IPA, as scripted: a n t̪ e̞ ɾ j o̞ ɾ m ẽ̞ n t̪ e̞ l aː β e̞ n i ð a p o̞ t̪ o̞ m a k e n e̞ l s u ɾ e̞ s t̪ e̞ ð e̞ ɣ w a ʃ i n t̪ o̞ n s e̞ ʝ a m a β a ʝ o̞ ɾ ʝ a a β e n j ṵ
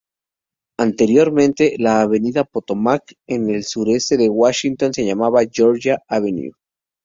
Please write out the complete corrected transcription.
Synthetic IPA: a n t̪ e̞ ɾ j o̞ ɾ m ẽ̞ n t̪ e̞ l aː β e̞ n i ð a p o̞ t̪ o̞ m a k e n e̞ l s u ɾ e̞ s t̪ e̞ ð e̞ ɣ w a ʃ i n t̪ o̞ n s e̞ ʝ a m a β a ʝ o̞ ɾ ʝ a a β e n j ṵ